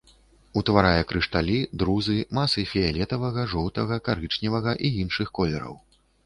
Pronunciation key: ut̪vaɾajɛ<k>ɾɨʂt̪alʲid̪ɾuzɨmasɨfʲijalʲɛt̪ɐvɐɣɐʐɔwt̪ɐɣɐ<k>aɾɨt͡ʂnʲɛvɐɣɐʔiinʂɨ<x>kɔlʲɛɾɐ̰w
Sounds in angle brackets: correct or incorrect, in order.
correct, correct, correct

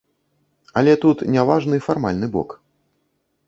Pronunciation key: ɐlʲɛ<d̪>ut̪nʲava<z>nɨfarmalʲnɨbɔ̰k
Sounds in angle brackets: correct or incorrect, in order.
incorrect: t̪, incorrect: ʐ

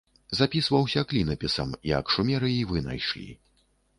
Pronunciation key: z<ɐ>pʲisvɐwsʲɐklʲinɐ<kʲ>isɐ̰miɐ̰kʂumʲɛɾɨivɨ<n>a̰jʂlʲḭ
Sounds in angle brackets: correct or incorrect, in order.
incorrect: a, incorrect: pʲ, correct

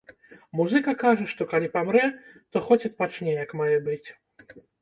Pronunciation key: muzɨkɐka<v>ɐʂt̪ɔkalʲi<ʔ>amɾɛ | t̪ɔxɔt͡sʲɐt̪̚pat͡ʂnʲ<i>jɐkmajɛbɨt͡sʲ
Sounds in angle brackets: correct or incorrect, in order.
incorrect: ʐ, incorrect: p, incorrect: ɛ

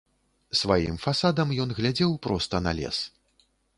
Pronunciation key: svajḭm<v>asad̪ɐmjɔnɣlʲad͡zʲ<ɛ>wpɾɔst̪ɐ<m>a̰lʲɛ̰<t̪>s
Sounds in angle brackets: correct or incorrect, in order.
incorrect: f, correct, incorrect: n, incorrect: none

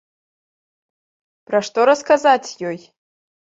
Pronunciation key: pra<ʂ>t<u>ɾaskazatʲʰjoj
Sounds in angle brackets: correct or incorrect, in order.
correct, incorrect: o

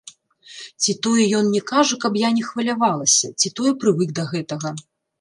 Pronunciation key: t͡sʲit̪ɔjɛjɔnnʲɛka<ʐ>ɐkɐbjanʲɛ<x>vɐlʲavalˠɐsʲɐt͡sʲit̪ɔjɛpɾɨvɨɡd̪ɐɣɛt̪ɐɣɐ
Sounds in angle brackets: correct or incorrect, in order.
correct, correct

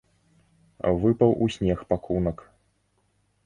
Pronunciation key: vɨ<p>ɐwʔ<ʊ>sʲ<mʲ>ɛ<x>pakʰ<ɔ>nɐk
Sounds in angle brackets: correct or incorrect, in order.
correct, incorrect: u, incorrect: nʲ, correct, incorrect: u

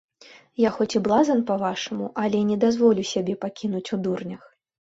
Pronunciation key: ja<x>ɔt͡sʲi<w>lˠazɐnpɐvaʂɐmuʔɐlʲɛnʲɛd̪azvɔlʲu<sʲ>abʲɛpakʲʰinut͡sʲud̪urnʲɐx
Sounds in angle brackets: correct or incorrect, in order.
correct, incorrect: b, correct

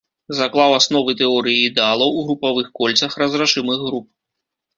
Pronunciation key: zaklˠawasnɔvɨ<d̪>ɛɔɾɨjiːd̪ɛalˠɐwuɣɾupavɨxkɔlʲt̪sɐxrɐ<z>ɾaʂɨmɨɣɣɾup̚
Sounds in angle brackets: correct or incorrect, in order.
incorrect: t̪, correct

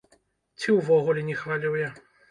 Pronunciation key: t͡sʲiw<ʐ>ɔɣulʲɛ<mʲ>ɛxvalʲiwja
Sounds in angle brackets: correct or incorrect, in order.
incorrect: v, incorrect: nʲ

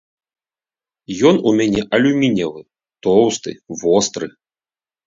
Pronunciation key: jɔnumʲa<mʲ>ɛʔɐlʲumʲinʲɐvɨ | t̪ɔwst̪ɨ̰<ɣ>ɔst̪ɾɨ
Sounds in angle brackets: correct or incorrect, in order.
incorrect: nʲ, incorrect: v

